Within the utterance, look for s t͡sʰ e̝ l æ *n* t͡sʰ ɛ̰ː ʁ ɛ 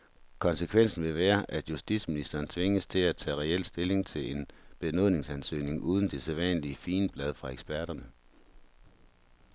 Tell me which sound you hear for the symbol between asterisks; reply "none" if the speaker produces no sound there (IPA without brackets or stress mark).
none